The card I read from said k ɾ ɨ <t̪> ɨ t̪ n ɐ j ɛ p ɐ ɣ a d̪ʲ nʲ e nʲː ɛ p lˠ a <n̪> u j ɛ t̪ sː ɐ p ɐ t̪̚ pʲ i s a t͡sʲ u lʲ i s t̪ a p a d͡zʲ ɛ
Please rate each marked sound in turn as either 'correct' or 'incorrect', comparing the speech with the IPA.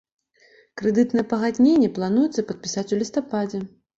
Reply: incorrect: d̪, correct

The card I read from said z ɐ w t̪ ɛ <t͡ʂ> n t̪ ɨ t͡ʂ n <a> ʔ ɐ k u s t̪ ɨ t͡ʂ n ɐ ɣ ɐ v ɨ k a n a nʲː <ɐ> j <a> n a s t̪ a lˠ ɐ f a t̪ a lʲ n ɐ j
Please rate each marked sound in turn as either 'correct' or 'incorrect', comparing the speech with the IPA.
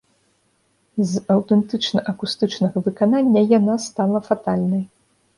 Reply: incorrect: none, incorrect: ɐ, correct, correct

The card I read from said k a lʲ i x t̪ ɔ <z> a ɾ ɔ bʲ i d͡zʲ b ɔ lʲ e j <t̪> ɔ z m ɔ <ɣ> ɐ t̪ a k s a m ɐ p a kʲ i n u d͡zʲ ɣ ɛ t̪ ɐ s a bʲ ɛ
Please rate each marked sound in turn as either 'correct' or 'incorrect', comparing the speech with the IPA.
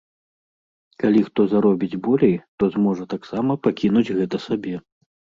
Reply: correct, correct, incorrect: ʐ

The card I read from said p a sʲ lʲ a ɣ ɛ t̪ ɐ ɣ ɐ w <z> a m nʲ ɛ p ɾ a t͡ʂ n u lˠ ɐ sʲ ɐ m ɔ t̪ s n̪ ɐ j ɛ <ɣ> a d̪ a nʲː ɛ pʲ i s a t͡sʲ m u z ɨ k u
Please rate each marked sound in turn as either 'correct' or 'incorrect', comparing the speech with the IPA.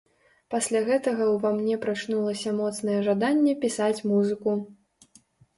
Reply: incorrect: v, incorrect: ʐ

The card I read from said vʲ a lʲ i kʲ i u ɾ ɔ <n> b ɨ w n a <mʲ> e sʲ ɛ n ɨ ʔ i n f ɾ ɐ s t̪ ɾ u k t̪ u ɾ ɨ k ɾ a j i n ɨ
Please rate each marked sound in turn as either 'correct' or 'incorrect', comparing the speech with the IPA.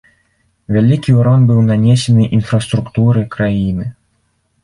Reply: correct, incorrect: nʲ

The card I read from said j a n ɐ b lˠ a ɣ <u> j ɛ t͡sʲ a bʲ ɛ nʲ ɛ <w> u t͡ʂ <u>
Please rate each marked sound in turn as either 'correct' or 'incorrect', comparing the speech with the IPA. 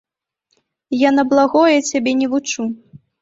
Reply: incorrect: ɔ, incorrect: v, correct

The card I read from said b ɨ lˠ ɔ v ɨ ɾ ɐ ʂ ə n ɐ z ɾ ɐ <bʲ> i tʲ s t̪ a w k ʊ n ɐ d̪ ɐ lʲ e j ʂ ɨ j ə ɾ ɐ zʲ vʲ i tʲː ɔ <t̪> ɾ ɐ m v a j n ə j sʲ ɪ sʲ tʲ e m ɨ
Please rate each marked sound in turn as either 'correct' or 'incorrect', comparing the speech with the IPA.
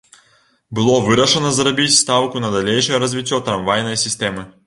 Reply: correct, correct

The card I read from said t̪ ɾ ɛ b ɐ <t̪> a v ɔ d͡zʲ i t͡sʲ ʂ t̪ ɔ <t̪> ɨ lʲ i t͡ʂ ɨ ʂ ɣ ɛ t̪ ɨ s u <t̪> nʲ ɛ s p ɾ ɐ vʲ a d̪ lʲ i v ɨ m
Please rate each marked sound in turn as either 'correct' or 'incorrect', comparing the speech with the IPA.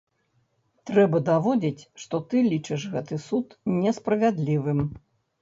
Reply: incorrect: d̪, correct, correct

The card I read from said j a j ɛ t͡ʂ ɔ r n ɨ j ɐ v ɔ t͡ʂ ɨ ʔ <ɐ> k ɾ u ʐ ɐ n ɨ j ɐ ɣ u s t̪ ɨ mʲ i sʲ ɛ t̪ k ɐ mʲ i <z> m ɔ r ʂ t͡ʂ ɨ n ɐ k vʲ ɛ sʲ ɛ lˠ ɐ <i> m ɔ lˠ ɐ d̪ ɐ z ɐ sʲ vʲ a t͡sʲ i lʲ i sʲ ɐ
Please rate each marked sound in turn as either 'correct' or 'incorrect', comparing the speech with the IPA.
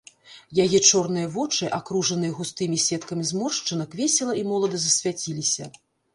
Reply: incorrect: a, correct, correct

